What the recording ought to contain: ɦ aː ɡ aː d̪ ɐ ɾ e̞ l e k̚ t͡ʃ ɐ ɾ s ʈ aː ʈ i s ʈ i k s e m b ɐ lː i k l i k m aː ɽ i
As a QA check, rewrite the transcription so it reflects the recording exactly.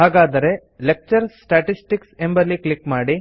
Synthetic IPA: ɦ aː ɡ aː d̪ ɐ ɾ e̞ l e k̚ t͡ʃ ɐ ɾ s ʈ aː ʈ i s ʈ i k s e m b ɐ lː i k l i k m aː ɽ i